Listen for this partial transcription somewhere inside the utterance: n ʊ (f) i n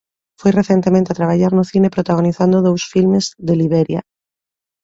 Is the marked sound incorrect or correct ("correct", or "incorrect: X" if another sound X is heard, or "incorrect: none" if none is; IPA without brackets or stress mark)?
incorrect: θ